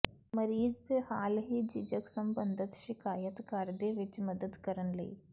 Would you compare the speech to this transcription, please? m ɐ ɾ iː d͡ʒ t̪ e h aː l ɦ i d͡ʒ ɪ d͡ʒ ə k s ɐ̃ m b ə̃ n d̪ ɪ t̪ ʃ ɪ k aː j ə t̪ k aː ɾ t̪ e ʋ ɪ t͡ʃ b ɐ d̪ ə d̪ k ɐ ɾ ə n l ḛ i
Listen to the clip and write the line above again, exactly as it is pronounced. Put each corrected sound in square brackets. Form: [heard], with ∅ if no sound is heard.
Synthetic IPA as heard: m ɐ ɾ iː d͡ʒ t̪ e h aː l ɦ i d͡ʒ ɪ d͡ʒ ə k s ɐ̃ m b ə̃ n d̪ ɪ t̪ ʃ ɪ k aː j ə t̪ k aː ɾ [d̪] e ʋ ɪ t͡ʃ [m] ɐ d̪ ə d̪ k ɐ ɾ ə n l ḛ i